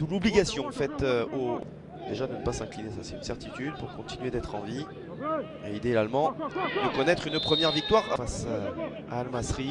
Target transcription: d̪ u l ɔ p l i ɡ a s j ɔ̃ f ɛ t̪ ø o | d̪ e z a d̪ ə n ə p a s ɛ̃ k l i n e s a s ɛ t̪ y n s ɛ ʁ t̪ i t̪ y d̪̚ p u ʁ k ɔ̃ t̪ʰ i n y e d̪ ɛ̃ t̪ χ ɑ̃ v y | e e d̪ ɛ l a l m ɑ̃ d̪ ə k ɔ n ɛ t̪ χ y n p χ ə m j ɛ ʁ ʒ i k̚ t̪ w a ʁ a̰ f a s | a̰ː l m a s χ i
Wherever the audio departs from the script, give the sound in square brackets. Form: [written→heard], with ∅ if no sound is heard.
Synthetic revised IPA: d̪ u l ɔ [p→b] l i ɡ a s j ɔ̃ f ɛ t̪ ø o | d̪ e [z→ʒ] a d̪ ə n ə p a s ɛ̃ k l i n e s a s ɛ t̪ y n s ɛ ʁ t̪ i t̪ y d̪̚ p u ʁ k ɔ̃ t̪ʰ i n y e d̪ [ɛ̃→ɛ] t̪ χ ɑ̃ v [y→i] | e [e→i] d̪ [ɛ→e] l a l m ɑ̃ d̪ ə k ɔ n ɛ t̪ χ y n p χ ə m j ɛ ʁ [ʒ→v] i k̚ t̪ w a ʁ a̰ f a s | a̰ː l m a s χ i